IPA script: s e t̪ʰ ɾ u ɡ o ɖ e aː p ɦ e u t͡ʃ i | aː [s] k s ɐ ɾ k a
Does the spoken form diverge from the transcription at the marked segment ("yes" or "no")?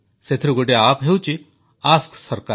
no